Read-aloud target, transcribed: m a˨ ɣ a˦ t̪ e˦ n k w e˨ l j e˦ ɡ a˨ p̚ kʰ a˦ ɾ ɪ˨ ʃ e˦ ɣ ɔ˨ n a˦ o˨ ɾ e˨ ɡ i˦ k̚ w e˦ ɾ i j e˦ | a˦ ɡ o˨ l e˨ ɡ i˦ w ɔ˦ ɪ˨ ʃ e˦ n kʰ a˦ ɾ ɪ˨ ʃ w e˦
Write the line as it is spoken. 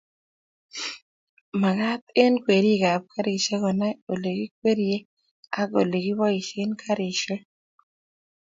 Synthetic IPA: m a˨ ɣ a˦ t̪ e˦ n k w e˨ ɾ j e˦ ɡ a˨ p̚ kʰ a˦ ɾ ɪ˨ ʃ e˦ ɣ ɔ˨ n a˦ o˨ l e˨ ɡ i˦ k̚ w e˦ ɾ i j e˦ | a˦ ɡ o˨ l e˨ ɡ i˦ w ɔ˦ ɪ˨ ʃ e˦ n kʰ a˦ ɾ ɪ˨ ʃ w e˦